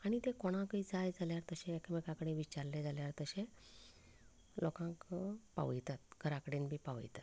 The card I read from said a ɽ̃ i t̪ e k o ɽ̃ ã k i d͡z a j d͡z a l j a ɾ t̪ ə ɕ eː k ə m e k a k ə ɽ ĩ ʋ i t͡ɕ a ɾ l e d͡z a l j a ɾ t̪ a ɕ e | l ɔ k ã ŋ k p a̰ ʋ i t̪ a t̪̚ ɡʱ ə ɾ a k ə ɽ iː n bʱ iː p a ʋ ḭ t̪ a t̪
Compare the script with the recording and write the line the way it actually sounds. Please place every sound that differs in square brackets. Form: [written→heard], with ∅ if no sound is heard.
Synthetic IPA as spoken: a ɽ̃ i t̪ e k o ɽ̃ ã k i d͡z a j d͡z a l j a ɾ t̪ ə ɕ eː k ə m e k a k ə ɽ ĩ ʋ i t͡ɕ a ɾ l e d͡z a l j a ɾ t̪ [a→ə] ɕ e | l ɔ k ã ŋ k p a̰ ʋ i t̪ a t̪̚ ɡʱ ə ɾ a k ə ɽ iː n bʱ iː p a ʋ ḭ t̪ a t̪